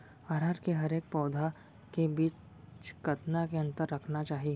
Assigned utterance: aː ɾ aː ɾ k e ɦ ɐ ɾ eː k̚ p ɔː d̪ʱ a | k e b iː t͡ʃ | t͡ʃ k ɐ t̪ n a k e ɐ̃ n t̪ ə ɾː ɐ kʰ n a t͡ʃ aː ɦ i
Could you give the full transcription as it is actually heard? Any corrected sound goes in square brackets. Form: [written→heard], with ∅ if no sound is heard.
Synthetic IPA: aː ɾ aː ɾ k e ɦ ɐ ɾ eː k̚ p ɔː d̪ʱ a | k e b iː t͡ʃ | t͡ʃ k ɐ t̪ n a k e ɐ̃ n t̪ ə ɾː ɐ kʰ n a t͡ʃ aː ɦ i